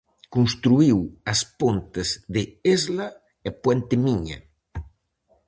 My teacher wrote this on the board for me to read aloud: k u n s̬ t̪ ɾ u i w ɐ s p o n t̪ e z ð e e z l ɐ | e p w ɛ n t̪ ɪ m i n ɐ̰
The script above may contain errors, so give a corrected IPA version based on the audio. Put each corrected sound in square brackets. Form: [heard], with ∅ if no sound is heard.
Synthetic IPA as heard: k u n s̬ t̪ ɾ u i w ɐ s p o n t̪ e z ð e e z l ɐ | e p w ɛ n t̪ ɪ m i [ɲ] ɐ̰